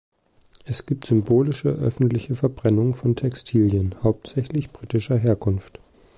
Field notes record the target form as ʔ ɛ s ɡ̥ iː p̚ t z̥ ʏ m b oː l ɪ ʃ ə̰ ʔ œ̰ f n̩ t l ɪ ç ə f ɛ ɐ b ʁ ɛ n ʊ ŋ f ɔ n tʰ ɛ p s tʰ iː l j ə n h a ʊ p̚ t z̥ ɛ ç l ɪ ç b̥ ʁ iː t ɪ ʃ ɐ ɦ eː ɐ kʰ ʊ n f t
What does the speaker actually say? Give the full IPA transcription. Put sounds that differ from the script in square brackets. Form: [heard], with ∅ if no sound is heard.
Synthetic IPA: ʔ ɛ s ɡ̥ iː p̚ t z̥ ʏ m b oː l ɪ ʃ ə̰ ʔ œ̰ f n̩ t l ɪ ç ə f ɛ ɐ b ʁ ɛ n ʊ ŋ f ɔ n tʰ ɛ [k] s tʰ iː l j ə n h a ʊ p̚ t z̥ ɛ ç l ɪ ç b̥ ʁ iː t ɪ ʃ ɐ ɦ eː ɐ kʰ ʊ n f t